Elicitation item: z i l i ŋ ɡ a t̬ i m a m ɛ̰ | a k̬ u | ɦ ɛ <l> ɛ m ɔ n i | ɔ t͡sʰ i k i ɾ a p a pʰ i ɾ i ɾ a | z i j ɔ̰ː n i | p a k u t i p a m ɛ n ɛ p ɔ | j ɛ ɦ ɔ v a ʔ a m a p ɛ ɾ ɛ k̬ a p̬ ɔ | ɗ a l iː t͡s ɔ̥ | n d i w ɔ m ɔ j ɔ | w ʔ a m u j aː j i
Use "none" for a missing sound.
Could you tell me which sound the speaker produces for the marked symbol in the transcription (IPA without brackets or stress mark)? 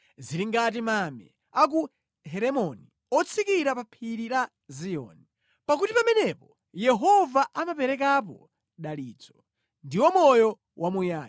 ɾ